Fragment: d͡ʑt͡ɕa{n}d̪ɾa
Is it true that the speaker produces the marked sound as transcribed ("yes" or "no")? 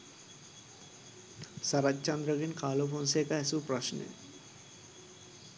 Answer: yes